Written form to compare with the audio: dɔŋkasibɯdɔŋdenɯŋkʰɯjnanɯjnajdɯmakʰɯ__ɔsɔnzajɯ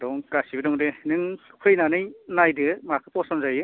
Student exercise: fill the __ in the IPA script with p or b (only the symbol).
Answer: p